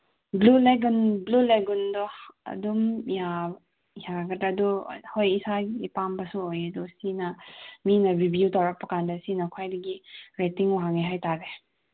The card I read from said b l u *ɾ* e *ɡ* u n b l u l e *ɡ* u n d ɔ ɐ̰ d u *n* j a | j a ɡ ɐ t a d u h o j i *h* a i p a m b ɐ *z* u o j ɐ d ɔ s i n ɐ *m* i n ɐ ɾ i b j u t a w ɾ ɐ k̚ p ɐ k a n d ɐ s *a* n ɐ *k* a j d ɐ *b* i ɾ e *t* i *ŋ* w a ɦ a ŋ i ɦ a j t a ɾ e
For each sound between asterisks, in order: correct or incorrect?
incorrect, correct, correct, incorrect, incorrect, incorrect, correct, incorrect, incorrect, incorrect, correct, correct

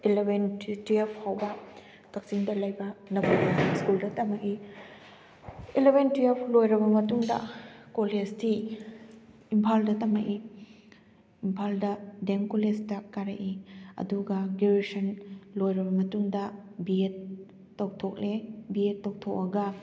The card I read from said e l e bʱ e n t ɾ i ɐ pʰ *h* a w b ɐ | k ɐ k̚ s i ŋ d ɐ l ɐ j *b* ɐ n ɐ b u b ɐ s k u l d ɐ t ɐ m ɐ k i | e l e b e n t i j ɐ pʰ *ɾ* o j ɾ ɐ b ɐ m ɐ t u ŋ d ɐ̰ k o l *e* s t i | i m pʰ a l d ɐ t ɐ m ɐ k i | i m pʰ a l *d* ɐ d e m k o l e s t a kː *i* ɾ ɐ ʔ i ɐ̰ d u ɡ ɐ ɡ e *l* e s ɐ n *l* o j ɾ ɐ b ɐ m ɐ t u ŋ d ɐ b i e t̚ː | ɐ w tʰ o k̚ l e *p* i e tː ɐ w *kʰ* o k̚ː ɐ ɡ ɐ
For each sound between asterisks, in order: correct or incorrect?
correct, correct, incorrect, correct, correct, incorrect, incorrect, correct, incorrect, incorrect

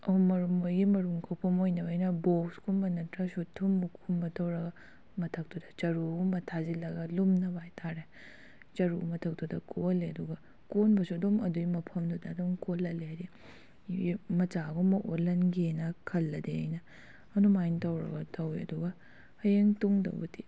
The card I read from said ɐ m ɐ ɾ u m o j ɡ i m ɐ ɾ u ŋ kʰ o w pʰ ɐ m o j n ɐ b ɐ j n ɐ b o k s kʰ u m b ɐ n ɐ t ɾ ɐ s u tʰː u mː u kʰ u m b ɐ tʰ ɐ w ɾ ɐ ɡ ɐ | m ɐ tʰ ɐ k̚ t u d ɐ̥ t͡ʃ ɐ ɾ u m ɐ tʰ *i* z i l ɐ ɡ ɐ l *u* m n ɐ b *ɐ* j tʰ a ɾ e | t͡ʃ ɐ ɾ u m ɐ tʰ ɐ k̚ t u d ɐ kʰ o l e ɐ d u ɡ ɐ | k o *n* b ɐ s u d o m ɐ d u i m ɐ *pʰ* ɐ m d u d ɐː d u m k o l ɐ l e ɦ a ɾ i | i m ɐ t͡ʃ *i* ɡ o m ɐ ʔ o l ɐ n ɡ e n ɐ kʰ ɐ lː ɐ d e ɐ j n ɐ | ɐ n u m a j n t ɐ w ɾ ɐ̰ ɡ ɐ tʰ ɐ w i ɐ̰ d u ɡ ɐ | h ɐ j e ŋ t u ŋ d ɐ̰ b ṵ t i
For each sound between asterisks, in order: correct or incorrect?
incorrect, correct, incorrect, correct, correct, incorrect

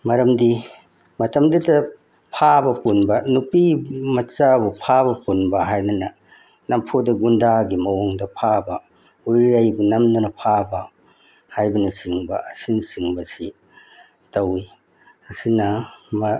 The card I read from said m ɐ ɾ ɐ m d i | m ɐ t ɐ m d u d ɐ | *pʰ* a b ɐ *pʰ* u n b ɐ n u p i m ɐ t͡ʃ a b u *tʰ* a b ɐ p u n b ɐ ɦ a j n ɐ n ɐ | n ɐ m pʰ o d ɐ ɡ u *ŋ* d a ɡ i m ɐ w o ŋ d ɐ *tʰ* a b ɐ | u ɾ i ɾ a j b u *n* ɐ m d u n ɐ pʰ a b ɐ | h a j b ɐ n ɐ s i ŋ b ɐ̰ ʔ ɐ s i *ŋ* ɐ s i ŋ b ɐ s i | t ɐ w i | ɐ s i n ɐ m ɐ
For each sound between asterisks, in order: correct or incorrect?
correct, incorrect, incorrect, incorrect, incorrect, correct, incorrect

